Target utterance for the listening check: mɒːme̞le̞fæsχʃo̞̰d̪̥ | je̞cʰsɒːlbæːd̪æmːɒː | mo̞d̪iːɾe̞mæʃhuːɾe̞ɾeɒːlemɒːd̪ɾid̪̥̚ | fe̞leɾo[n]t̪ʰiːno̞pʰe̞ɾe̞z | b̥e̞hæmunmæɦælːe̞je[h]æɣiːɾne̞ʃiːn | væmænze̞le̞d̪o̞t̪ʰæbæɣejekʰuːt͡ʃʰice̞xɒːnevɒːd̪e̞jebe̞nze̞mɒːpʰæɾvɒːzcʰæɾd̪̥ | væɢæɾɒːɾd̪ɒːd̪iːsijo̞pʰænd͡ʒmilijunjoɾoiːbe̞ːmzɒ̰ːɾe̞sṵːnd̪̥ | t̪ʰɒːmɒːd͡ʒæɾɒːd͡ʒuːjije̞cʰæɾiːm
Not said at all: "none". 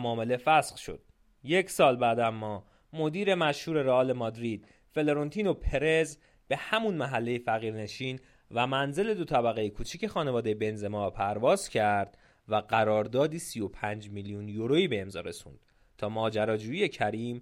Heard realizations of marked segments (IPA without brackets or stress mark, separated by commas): n, f